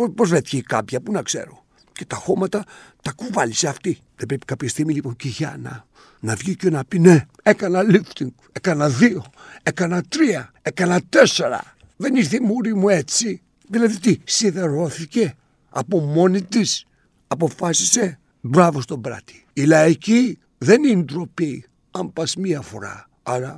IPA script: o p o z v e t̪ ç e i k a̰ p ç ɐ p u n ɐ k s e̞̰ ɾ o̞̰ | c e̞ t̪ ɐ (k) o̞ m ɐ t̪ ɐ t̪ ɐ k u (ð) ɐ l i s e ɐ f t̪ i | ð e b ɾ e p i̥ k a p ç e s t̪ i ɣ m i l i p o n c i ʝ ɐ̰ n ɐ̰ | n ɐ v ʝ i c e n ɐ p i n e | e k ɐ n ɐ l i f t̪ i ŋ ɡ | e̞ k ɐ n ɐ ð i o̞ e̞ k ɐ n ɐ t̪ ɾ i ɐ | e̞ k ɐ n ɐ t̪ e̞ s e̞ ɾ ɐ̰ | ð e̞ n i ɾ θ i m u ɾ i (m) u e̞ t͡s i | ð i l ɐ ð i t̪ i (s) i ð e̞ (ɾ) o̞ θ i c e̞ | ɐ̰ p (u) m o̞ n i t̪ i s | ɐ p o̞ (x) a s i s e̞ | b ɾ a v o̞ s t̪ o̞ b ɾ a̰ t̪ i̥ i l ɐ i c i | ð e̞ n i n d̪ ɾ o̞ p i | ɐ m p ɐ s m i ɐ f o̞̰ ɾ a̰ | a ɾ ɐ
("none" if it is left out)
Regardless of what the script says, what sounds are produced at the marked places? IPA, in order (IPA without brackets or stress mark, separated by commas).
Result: x, v, m, s, ɾ, o, f